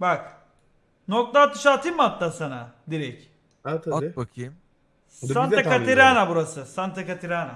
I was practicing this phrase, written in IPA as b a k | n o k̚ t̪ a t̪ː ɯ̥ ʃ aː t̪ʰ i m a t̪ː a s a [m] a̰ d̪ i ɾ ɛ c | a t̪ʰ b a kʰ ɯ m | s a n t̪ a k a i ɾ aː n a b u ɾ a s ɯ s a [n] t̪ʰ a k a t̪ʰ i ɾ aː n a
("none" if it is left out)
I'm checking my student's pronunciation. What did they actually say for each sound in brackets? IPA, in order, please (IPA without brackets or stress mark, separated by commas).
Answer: n, n